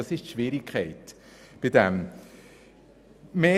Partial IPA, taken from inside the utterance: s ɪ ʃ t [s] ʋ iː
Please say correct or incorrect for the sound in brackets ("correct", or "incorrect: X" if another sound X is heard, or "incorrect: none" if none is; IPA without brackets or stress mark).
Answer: incorrect: ʃ